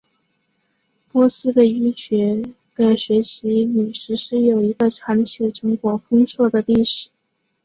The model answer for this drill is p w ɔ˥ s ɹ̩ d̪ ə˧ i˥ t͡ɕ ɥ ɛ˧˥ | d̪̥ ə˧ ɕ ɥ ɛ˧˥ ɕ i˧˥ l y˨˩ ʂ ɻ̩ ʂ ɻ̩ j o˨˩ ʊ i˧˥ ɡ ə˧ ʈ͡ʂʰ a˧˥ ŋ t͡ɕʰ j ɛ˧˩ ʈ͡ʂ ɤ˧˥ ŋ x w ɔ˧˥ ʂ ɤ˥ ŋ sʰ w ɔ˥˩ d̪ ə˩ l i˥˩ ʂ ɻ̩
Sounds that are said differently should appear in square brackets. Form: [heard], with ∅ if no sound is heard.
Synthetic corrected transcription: p w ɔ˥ s ɹ̩ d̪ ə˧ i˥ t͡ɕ ɥ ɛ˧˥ | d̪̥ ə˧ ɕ ɥ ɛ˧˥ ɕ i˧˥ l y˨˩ ʂ ɻ̩ ʂ ɻ̩ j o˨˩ ʊ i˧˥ ɡ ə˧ ʈ͡ʂʰ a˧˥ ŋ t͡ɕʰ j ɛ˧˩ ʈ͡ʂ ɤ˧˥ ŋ [k] w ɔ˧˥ [f] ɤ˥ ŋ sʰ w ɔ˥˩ d̪ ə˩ l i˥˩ ʂ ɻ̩